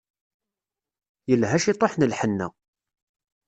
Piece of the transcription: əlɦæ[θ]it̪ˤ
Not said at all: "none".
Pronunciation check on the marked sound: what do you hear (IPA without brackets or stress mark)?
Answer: ʃ